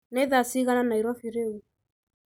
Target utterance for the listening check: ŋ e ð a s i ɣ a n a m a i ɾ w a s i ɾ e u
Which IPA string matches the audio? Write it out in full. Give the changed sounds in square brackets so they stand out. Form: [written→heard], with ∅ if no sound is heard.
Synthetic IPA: [ŋ→n] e ð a s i ɣ a n a [m→n] a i ɾ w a [s→f] i ɾ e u